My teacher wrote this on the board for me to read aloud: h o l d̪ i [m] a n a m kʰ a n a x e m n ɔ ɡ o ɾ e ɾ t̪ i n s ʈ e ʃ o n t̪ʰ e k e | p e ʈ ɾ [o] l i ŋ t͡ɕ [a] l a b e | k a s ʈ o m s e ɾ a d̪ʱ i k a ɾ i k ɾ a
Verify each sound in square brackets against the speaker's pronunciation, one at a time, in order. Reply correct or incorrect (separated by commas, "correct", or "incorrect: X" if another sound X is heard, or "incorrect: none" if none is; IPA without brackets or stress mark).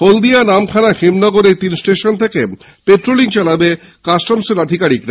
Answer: incorrect: none, correct, correct